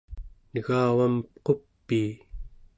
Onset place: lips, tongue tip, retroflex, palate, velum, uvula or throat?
tongue tip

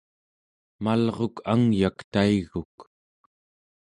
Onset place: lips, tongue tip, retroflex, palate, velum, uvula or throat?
lips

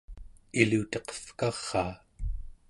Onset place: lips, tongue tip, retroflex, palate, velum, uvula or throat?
tongue tip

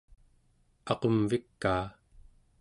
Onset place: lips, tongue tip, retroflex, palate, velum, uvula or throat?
uvula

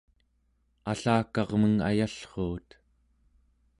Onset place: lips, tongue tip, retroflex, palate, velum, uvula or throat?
tongue tip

